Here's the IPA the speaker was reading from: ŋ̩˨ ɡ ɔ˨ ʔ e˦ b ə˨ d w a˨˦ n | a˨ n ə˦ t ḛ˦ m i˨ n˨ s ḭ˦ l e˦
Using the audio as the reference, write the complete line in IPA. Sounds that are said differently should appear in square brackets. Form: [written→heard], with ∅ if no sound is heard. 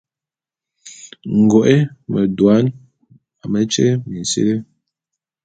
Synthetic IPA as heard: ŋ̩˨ ɡ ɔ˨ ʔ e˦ [b→m] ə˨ d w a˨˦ n | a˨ [n→m] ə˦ [t→t͡ʃ] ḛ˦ m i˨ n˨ s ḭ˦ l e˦